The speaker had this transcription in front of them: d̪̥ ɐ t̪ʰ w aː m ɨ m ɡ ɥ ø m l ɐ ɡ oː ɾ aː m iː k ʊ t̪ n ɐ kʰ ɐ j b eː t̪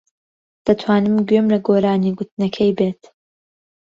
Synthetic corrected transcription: d̪̥ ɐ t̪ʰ w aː n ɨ m ɡ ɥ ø m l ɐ ɡ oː ɾ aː n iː ɡ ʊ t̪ n ɐ kʰ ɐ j b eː t̪